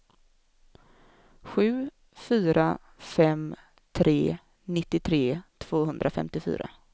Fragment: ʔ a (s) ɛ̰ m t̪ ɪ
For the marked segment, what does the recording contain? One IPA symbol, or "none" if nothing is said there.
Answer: f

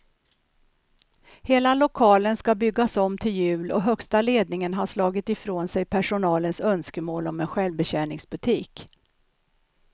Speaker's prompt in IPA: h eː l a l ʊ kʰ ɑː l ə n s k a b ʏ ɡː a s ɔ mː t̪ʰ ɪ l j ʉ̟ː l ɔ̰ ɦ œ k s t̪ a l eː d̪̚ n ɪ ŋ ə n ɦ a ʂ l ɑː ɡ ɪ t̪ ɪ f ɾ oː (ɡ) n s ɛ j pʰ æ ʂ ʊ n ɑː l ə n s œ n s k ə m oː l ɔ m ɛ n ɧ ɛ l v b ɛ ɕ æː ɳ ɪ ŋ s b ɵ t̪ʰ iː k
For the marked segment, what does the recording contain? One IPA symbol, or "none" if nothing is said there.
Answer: none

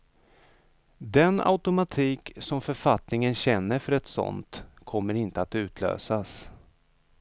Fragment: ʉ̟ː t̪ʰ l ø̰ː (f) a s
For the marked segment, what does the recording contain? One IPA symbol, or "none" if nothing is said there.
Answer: s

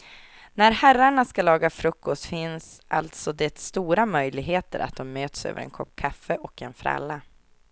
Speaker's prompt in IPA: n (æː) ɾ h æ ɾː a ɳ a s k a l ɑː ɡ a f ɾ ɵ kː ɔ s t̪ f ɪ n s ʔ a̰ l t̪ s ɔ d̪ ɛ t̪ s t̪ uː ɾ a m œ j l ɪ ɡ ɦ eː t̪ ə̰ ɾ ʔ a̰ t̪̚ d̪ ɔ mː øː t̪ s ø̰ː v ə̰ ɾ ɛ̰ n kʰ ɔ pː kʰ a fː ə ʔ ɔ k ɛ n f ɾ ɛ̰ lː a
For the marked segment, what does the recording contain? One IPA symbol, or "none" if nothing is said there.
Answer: æ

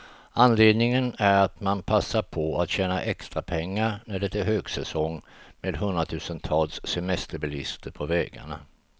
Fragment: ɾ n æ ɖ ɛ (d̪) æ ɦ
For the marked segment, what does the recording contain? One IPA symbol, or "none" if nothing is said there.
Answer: t̪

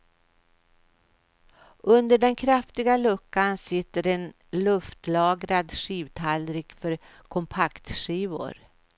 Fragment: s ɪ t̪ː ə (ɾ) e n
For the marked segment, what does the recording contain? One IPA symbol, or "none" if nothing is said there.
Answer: ɾ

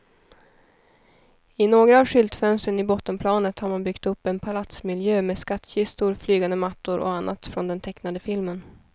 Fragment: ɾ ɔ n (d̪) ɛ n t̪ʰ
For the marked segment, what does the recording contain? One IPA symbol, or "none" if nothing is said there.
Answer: d̪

